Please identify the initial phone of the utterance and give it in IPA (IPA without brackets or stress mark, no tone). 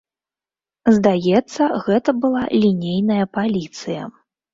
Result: z